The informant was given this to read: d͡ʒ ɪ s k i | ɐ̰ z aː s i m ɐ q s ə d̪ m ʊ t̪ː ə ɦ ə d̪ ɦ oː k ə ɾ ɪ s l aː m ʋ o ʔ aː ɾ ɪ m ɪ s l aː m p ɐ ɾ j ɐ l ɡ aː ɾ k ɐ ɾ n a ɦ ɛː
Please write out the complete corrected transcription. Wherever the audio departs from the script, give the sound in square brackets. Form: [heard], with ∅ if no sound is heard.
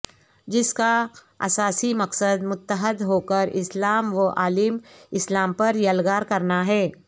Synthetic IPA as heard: d͡ʒ ɪ s k [a] | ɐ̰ [s] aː s i m ɐ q s ə d̪ m ʊ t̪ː ə ɦ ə d̪ ɦ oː k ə ɾ ɪ s l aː m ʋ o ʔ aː [l] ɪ m ɪ s l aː m p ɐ ɾ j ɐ l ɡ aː ɾ k ɐ ɾ n a ɦ ɛː

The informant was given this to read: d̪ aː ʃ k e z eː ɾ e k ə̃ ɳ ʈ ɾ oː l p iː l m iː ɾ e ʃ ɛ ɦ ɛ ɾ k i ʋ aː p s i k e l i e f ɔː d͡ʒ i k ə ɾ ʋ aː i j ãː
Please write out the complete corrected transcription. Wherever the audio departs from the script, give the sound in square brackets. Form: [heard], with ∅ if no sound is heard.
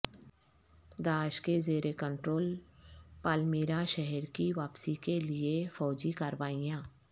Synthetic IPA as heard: d̪ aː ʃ k e z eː ɾ e k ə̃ ɳ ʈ ɾ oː l p [aː] l m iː ɾ [a] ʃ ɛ ɦ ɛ ɾ k i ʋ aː p s i k e l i e f ɔː d͡ʒ i k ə ɾ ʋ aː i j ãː

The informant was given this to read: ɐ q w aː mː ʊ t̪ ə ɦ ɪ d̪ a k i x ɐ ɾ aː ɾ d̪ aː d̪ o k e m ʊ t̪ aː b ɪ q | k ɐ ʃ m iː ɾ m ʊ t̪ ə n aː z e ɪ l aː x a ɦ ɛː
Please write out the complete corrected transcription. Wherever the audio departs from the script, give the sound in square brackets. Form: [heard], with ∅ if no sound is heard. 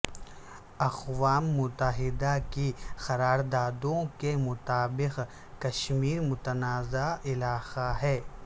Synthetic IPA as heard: ɐ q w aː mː ʊ t̪ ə ɦ ɪ d̪ a k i x ɐ ɾ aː ɾ d̪ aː d̪ [õ] k e m ʊ t̪ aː b ɪ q | k ɐ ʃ m iː ɾ m ʊ t̪ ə n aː z [a] ɪ l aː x a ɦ ɛː

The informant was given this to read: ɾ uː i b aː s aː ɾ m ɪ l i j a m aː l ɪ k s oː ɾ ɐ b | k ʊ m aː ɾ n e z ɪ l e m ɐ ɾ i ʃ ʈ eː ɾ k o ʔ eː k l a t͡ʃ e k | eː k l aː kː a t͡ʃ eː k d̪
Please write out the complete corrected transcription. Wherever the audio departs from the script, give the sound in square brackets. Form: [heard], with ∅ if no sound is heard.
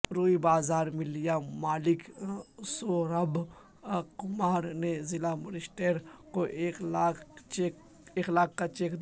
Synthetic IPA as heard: ɾ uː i b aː [z] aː ɾ m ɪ l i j a m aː l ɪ k s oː ɾ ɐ b | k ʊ m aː ɾ n e z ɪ l [a] m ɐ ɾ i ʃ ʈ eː ɾ k o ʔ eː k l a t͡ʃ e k | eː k l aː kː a t͡ʃ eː k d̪

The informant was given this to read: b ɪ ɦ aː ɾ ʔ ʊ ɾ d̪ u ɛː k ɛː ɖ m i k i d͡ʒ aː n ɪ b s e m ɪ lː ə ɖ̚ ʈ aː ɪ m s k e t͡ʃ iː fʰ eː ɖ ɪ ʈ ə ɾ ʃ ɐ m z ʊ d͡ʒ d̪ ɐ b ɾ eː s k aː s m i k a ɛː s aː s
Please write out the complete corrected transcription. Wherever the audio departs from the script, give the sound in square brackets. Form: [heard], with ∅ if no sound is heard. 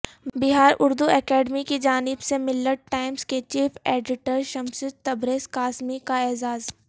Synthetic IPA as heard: b ɪ ɦ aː ɾ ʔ ʊ ɾ d̪ u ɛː k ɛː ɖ m i k i d͡ʒ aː n ɪ b s e m ɪ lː ə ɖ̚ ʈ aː ɪ m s k e t͡ʃ iː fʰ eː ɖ ɪ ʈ ə ɾ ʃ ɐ m [s] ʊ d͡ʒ [t̪] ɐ b ɾ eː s k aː s m i k a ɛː [z] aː [z]

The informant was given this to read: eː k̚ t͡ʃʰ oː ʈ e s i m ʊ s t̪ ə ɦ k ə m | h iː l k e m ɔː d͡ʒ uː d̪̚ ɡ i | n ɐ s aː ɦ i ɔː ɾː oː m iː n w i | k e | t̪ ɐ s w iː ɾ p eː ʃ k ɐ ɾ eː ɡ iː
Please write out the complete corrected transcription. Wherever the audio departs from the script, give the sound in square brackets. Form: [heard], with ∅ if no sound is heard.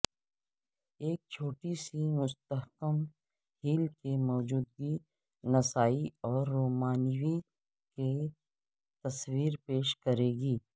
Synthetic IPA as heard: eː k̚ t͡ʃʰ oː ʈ [i] s i m ʊ s t̪ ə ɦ k ə m | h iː l k e m ɔː d͡ʒ uː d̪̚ ɡ i | n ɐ s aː [∅] i ɔː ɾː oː m [aː] n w i | k e | t̪ ɐ s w iː ɾ p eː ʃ k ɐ ɾ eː ɡ iː

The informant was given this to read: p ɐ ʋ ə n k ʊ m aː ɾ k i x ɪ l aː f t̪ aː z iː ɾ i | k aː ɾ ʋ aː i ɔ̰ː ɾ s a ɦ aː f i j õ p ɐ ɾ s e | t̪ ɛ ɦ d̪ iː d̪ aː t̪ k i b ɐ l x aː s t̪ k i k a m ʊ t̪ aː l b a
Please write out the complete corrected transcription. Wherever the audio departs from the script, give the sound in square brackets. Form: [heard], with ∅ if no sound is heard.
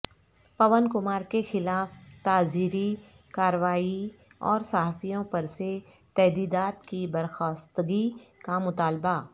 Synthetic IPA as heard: p ɐ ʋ ə n k ʊ m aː ɾ k [e] x ɪ l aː f t̪ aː z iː ɾ i | k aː ɾ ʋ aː i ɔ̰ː ɾ s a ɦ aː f i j õ p ɐ ɾ s e | t̪ ɛ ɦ d̪ iː d̪ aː t̪ k i b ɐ [ɾ] x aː s t̪ [ɡ] i k a m ʊ t̪ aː l b a

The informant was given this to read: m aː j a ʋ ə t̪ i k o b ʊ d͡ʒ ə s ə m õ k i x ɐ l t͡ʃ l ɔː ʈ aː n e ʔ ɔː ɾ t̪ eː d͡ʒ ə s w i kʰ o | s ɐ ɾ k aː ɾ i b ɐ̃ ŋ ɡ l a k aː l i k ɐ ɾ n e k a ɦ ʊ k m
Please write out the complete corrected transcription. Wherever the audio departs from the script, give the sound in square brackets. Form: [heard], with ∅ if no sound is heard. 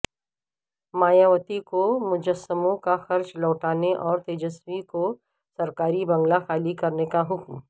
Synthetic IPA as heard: m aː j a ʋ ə t̪ i k o [m] ʊ d͡ʒ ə s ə m õ k [a] x ɐ [ɾ] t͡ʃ l ɔː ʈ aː n e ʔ ɔː ɾ t̪ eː d͡ʒ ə s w i [k] o | s ɐ ɾ k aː ɾ i b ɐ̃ ŋ ɡ l a [x] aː l i k ɐ ɾ n e k a ɦ ʊ k m

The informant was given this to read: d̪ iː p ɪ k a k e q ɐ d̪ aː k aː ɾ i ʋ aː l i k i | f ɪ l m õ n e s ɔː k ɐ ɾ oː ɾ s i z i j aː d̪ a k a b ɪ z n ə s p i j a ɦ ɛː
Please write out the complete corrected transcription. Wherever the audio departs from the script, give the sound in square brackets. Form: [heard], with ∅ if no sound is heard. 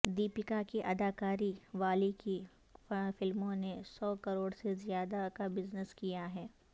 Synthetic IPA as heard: d̪ iː p ɪ k a k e [ʔ] ɐ d̪ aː k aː ɾ i ʋ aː l i k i | f ɪ l m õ n e s ɔː k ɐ ɾ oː [ɽ] s [e] z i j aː d̪ a k a b ɪ z n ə s [k] i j a ɦ ɛː

